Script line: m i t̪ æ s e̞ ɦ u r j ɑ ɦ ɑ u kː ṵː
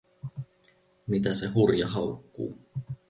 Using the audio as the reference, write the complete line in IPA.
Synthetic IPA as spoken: m i t̪ æ s e̞ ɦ u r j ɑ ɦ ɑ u kː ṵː